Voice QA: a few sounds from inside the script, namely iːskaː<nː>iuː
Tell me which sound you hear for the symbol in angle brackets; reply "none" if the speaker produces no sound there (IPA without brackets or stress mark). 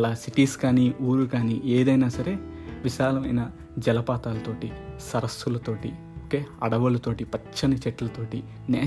n